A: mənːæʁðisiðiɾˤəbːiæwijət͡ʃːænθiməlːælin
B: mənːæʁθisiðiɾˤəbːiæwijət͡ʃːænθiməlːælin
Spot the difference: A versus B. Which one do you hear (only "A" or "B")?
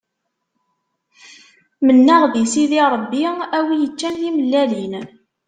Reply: A